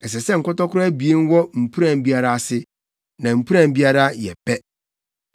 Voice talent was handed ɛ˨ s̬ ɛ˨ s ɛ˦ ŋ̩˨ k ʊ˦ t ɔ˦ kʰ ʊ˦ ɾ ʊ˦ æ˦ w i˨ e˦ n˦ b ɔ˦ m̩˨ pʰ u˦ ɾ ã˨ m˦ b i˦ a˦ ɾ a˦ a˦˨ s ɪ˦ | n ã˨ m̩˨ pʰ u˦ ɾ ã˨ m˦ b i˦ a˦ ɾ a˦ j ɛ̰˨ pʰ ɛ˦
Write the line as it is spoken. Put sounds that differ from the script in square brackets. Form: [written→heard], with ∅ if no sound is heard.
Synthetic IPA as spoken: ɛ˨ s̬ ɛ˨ s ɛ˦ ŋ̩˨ k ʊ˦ t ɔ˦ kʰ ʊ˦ ɾ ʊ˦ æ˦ [w→b] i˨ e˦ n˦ [b→w] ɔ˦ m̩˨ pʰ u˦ ɾ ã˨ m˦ b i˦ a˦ ɾ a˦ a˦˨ s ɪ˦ | n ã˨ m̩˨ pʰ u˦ ɾ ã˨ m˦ b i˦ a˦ ɾ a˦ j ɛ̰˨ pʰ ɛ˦

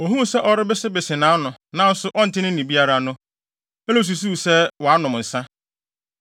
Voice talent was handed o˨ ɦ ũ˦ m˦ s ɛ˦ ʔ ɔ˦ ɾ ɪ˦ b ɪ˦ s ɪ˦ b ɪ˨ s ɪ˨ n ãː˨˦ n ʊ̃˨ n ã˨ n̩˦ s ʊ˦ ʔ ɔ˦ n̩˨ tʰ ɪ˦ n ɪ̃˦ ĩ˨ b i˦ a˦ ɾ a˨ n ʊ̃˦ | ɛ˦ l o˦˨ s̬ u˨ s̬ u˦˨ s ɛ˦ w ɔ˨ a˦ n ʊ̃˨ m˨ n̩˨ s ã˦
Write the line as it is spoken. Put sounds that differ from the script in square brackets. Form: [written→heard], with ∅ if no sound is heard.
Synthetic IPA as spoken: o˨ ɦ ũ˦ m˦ s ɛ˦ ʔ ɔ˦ ɾ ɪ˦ b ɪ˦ s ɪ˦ b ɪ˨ s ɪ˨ n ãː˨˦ n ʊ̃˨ n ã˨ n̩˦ s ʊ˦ ʔ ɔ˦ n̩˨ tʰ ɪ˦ n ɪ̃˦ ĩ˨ b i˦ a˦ ɾ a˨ n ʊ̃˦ | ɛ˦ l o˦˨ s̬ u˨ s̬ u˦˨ s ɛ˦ w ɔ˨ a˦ n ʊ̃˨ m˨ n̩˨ s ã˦

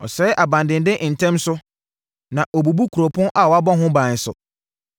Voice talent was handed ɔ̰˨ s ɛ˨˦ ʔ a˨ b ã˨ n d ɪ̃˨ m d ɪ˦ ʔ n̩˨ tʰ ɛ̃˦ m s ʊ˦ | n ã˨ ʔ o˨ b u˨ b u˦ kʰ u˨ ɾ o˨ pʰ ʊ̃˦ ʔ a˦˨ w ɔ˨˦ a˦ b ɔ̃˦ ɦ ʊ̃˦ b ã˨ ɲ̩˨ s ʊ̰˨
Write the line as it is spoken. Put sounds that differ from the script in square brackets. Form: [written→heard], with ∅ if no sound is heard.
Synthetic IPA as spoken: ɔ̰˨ s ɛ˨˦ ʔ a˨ b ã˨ n d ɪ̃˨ [m→n] d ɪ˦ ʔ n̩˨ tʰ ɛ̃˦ m s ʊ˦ | n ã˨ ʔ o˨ b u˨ b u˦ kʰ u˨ ɾ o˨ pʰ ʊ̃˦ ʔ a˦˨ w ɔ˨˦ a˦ b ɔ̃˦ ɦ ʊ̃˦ b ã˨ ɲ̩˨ s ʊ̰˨

